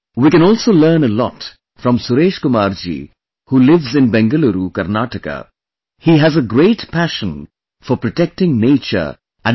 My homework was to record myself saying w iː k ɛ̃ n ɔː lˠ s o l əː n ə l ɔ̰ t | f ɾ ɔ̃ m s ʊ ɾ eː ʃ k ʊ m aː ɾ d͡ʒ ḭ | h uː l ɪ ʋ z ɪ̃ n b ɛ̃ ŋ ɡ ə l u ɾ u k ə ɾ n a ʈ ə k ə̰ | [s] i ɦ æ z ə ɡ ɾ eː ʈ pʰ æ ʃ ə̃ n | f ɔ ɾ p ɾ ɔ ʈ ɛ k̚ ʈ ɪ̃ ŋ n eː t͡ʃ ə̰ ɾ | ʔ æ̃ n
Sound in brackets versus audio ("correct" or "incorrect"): incorrect